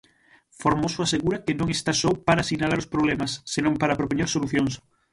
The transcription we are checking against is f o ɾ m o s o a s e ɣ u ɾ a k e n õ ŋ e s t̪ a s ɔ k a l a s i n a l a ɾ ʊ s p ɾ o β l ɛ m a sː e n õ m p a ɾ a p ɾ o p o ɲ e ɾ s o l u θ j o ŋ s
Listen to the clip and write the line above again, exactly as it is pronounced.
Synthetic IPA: f o ɾ m o s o a s e ɣ u ɾ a k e n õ ŋ e s t̪ a s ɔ p a ɾ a s i n a l a ɾ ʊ s p ɾ o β l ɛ m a sː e n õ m p a ɾ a p ɾ o p o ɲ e ɾ s o l u θ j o ŋ s